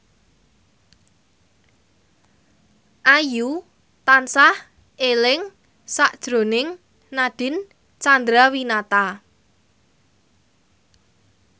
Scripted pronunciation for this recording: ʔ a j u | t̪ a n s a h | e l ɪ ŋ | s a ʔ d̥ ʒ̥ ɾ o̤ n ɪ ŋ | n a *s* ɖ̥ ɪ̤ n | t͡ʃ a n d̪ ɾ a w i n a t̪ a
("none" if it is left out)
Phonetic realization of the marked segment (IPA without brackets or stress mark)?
none